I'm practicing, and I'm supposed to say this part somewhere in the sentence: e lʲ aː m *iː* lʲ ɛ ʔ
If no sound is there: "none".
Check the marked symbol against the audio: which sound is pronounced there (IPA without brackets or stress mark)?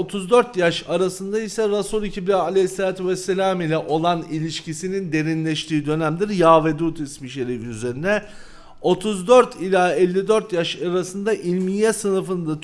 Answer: i